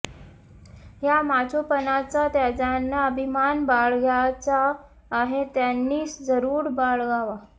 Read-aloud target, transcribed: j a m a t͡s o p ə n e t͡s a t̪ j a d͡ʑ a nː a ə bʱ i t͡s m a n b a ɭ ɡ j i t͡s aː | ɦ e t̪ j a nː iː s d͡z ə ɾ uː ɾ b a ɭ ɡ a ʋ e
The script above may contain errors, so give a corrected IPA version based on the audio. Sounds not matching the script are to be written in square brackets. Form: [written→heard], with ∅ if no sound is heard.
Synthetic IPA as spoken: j a m a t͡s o p ə n [e→a] t͡s a t̪ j a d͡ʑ a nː a ə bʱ i [t͡s→∅] m a n b a ɭ ɡ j [i→a] t͡s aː | ɦ e t̪ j a nː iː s d͡z ə ɾ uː ɾ b a ɭ ɡ a ʋ [e→a]